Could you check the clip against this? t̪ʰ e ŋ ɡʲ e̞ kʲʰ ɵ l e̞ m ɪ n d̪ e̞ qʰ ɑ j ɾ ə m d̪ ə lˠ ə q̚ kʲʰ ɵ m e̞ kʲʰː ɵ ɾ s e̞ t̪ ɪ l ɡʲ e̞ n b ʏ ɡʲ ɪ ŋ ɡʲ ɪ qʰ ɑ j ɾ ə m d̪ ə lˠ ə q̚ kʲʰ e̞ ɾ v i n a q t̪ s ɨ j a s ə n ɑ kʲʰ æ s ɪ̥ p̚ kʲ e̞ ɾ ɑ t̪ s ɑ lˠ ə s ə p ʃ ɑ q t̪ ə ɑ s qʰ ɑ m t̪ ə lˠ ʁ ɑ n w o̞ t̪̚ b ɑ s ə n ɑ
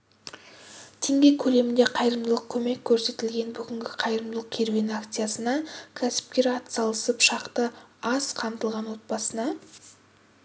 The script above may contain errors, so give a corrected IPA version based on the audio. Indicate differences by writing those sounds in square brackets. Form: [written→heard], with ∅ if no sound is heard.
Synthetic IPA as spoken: t̪ʰ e ŋ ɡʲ e̞ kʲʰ ɵ l e̞ m ɪ n d̪ e̞ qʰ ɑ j ɾ ə m d̪ ə lˠ ə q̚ kʲʰ ɵ m e̞ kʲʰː ɵ ɾ s e̞ t̪ ɪ l ɡʲ e̞ n b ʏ ɡʲ ɪ ŋ ɡʲ ɪ qʰ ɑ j ɾ ə m d̪ ə lˠ ə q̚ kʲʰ e̞ ɾ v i n a [q→k] t̪ s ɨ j a s ə n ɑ kʲʰ æ s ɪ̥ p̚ kʲ e̞ ɾ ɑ t̪ s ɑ lˠ ə s ə p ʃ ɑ q t̪ ə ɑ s qʰ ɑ m t̪ ə lˠ ʁ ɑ n w o̞ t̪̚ b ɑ s ə n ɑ